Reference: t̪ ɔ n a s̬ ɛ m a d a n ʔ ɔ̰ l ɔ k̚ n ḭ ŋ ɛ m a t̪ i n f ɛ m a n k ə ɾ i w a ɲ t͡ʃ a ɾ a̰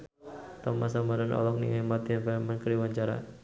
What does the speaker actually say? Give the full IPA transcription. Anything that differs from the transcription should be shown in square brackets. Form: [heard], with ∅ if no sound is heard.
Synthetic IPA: t̪ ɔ [m] a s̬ [a] m a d a n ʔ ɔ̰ l ɔ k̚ n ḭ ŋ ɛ m a t̪ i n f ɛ m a n k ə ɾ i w a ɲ t͡ʃ a ɾ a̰

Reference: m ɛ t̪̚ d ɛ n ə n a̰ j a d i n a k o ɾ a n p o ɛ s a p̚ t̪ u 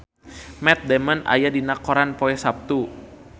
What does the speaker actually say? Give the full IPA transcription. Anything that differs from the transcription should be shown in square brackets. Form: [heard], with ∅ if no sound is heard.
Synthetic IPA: m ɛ t̪̚ d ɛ [m] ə n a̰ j a d i n a k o ɾ a n p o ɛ s a p̚ t̪ u

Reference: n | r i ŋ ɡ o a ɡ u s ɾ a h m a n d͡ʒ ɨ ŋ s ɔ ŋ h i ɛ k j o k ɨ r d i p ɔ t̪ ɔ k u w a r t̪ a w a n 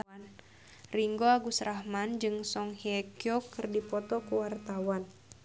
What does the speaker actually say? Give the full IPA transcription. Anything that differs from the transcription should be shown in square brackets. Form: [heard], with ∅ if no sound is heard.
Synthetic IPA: n | r i ŋ ɡ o a ɡ u s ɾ a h m a n d͡ʒ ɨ ŋ s ɔ ŋ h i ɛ k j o k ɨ r d i p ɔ t̪ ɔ k u w a r t̪ a w a n

